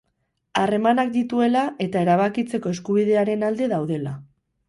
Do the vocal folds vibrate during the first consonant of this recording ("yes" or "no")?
yes